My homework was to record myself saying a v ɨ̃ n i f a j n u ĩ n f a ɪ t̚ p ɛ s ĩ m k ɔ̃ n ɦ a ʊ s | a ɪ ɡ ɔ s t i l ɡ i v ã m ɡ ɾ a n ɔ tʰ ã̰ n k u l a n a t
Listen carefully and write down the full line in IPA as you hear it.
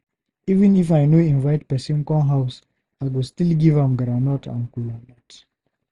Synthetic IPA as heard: i v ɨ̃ n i f a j n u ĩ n v a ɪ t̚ p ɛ s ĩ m k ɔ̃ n ɦ a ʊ s | a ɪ ɡ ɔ s t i l ɡ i v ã m ɡ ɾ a n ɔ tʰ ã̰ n k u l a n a t

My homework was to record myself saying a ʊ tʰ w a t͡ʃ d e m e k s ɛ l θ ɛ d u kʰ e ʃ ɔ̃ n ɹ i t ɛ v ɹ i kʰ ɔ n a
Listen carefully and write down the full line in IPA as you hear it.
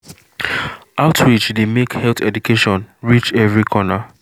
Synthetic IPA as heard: a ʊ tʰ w i t͡ʃ d e m e k h ɛ l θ ɛ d u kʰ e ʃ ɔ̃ n ɹ i t͡ʃ ɛ v ɹ i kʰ ɔ n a

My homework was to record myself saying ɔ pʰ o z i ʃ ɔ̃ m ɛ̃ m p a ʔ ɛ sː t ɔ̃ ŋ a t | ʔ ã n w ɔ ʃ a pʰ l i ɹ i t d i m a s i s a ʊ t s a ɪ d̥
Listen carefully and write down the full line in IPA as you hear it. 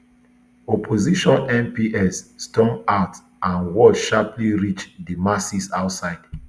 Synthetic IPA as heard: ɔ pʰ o z i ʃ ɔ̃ n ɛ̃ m p i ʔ ɛ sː t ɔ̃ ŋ a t | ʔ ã n w ɔ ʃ a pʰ l i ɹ i t͡ʃ d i m a s i s a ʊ t s a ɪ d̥

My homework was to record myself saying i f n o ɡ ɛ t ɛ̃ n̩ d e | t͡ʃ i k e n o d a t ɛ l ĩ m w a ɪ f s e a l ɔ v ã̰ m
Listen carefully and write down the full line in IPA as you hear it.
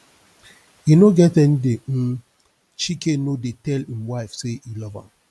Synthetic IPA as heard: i n o ɡ ɛ t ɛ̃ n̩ d e | t͡ʃ i k e n o d e t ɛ l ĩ m w a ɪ f s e i l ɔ v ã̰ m

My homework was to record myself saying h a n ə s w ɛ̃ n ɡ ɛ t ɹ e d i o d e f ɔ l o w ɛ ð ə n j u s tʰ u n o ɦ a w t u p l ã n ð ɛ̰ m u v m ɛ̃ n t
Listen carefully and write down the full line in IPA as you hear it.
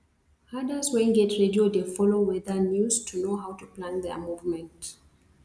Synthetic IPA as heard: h a d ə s w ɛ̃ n ɡ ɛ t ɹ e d i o d e f ɔ l o w ɛ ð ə n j u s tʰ u n o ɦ a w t u p l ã n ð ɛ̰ m u v m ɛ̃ n t

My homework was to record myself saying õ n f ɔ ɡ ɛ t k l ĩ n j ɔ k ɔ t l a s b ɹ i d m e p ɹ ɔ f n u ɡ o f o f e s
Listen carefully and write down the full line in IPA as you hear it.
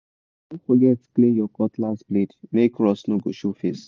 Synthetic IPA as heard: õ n f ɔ ɡ ɛ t k l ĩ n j ɔ k ɔ t l a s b l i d m e k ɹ ɔ s n o ɡ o ʃ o f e s

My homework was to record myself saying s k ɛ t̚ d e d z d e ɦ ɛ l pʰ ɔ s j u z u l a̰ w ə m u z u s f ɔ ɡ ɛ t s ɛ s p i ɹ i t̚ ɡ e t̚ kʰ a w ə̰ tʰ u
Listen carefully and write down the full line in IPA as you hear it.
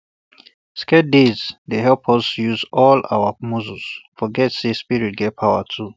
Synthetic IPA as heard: s k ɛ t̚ d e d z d e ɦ ɛ l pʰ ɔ s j u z ɔ l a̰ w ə m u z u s f ɔ ɡ ɛ t s e s p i ɹ i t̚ ɡ ɛ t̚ pʰ a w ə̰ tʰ u

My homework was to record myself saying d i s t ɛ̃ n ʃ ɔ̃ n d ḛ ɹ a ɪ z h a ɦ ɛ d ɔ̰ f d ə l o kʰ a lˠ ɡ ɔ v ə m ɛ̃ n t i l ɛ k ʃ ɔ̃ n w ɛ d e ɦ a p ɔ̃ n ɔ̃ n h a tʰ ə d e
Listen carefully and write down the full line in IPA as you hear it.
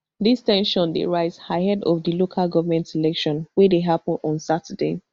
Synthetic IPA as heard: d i s t ɛ̃ n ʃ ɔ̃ n d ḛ ɹ a ɪ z h a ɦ ɛ d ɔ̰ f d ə l o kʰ a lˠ ɡ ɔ v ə m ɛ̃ n t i l ɛ k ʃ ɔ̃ n w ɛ d e ɦ a p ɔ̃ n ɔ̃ n s a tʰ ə d e

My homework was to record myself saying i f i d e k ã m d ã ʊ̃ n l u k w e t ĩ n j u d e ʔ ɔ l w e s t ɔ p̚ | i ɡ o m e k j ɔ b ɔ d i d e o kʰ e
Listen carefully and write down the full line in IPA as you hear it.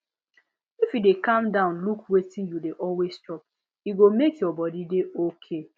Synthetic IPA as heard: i f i d e k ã m d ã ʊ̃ n l u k w e t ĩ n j u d e ʔ ɔ l w e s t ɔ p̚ | i ɡ o m e k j ɔ b ɔ d i d e o kʰ e

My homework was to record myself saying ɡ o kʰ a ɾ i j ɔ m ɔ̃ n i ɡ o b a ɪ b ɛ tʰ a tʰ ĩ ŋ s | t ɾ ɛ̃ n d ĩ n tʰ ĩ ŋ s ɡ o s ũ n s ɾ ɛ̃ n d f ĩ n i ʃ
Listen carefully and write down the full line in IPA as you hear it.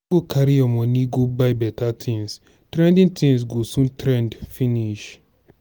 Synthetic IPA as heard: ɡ o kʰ a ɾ i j ɔ m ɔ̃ n i ɡ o b a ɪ b ɛ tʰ a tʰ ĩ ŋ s | t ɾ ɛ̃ n d ĩ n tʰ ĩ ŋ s ɡ o s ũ n t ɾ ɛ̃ n d f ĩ n i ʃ

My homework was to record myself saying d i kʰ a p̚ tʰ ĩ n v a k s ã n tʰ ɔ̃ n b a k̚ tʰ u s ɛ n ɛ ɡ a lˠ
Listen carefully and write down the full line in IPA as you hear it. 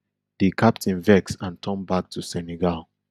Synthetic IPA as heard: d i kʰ a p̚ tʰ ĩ n v ɛ k s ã n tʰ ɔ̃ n b a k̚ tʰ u s ɛ n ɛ ɡ a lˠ

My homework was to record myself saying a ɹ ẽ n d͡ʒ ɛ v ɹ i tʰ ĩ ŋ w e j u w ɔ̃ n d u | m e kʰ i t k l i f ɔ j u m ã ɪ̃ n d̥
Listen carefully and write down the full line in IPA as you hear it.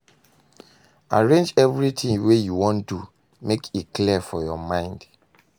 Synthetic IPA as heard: a ɹ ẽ n d͡ʒ ɛ v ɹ i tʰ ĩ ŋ w e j u w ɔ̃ n d u | m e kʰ i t k l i f ɔ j ɔ m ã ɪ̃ n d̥

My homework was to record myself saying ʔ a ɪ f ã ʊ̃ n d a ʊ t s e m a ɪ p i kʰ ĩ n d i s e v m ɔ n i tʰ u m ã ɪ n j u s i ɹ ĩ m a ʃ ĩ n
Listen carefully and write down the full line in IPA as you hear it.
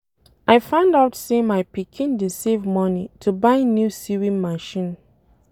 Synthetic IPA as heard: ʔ a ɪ f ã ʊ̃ n d a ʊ t s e m a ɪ p i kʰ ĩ n d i s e v m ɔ n i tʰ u b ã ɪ n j u s i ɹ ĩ m a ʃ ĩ n

